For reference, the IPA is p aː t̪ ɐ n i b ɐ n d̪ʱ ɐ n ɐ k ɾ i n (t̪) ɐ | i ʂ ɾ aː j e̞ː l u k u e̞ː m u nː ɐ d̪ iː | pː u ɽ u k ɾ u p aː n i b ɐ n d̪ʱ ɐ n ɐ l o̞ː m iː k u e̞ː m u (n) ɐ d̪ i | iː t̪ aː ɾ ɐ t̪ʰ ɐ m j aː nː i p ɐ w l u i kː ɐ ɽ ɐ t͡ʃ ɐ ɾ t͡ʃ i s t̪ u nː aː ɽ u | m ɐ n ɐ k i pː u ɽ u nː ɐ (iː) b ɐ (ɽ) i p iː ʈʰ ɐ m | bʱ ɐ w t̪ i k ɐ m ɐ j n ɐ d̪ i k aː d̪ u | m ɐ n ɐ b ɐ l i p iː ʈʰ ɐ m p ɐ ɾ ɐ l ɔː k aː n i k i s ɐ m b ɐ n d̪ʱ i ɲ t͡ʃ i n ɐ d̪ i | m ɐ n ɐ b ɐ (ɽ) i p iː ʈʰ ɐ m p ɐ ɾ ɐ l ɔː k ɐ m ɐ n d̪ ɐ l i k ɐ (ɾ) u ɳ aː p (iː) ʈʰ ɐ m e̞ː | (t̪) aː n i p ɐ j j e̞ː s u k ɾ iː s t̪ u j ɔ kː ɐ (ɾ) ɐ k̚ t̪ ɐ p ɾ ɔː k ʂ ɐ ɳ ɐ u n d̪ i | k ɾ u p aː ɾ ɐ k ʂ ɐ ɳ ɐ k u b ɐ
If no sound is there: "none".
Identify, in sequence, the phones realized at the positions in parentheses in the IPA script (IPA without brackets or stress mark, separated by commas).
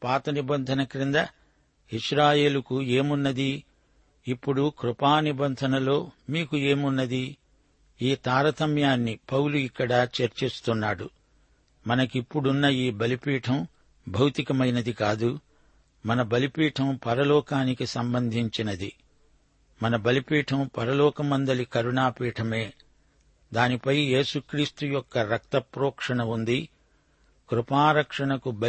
d̪, nː, iː, l, l, ɾ, iː, d̪, ɾ